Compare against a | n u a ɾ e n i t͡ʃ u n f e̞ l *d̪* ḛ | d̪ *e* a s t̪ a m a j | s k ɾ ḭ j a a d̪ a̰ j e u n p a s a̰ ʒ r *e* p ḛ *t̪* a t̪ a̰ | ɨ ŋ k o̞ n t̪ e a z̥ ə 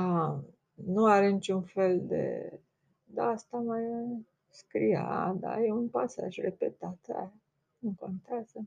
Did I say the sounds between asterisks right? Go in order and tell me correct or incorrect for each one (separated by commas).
correct, incorrect, correct, correct